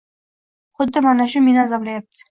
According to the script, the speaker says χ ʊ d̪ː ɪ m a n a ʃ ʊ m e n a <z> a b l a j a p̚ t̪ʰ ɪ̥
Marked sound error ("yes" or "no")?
no